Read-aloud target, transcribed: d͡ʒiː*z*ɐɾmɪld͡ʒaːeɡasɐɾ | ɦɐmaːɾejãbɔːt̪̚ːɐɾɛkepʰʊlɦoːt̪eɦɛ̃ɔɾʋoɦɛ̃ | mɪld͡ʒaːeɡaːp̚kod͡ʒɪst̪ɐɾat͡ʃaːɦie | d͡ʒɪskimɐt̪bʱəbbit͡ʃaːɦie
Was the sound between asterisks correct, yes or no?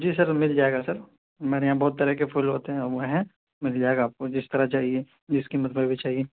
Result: no